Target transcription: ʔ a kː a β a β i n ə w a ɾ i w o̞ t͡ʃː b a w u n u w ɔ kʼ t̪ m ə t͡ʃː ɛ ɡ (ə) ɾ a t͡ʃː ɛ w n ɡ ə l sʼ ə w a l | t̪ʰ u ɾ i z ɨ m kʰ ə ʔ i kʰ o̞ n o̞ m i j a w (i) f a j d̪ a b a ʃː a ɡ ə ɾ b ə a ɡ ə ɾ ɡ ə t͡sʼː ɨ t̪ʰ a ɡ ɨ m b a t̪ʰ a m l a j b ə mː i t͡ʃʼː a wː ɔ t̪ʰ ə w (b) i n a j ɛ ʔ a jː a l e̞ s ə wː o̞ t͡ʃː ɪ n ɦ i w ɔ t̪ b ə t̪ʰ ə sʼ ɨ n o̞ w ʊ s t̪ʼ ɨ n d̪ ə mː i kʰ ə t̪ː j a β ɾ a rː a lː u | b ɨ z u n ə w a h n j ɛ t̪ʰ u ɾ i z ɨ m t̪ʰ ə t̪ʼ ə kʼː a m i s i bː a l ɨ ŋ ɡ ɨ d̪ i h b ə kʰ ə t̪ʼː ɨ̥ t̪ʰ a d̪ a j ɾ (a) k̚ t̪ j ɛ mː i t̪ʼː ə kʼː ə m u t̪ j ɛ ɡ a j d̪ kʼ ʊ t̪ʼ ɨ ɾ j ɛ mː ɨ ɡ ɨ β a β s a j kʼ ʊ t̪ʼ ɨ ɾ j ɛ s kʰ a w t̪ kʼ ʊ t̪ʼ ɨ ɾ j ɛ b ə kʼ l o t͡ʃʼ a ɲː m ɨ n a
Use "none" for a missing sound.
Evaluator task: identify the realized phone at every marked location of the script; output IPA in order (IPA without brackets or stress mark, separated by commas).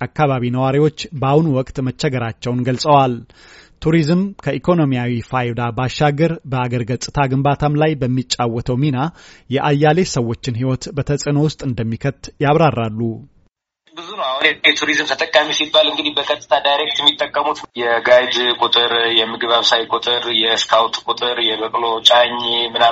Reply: ə, i, m, e